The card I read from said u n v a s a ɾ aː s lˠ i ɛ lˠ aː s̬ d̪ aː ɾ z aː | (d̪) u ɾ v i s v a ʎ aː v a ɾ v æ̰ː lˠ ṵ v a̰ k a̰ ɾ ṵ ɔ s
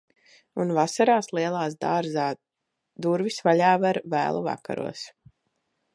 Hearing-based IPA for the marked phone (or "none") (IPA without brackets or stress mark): d̪